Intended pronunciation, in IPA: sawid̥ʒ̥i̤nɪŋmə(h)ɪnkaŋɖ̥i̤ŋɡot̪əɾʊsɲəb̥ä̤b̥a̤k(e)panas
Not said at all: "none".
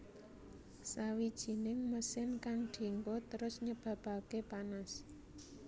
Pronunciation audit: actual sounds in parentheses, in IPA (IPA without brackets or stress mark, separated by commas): s, e